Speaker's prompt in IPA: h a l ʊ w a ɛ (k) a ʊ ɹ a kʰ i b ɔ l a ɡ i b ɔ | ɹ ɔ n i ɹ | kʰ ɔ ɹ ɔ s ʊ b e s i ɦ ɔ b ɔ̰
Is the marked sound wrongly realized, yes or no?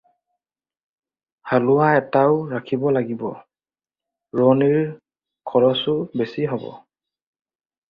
yes